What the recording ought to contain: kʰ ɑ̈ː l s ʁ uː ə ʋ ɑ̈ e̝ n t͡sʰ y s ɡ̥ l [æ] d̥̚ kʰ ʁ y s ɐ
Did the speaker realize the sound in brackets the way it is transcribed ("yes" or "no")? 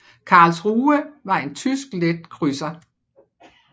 no